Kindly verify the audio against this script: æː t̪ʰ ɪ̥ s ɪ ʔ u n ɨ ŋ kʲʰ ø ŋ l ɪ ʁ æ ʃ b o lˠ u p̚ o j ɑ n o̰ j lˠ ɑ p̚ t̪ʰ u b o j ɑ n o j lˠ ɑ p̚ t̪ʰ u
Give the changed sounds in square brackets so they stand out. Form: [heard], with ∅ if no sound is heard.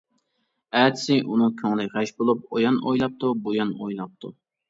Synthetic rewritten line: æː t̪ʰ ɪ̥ s ɪ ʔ u n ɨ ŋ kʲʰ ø ŋ l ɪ ʁ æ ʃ b o lˠ u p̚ o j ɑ n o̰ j lˠ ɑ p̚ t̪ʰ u b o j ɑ n o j lˠ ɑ p̚ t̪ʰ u